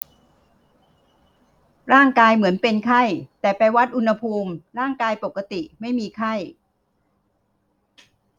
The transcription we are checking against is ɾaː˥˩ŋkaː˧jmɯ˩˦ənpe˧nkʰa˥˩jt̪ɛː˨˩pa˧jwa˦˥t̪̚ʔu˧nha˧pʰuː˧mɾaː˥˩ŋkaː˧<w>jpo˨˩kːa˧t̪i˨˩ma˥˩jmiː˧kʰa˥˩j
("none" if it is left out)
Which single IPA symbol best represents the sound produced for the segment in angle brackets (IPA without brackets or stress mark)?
none